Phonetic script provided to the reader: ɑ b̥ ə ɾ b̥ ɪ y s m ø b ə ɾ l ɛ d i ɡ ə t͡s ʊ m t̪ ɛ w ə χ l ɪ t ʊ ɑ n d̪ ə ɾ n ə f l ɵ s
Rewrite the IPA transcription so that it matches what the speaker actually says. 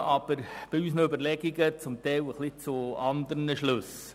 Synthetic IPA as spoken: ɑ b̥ ə ɾ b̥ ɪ y s n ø b ə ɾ l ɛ ɡ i ɡ ə t͡s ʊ m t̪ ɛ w ə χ l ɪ t͡s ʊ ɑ n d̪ ə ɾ n ə ʃ l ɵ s